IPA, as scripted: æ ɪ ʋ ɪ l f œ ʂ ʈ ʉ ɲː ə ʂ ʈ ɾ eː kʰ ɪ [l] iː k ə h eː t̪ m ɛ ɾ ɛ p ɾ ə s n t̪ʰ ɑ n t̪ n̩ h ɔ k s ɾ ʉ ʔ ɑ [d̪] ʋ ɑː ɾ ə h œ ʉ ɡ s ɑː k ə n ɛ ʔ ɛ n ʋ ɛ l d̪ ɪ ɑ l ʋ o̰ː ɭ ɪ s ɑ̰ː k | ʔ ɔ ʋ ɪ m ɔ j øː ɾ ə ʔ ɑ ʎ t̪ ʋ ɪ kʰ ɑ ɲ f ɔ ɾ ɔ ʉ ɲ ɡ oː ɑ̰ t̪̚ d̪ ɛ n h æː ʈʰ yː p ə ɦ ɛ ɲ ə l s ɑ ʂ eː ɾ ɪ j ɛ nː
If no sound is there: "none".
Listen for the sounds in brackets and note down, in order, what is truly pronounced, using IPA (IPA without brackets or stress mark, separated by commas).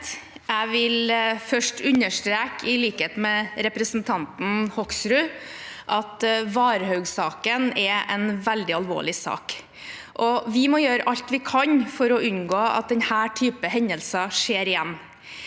l, t̪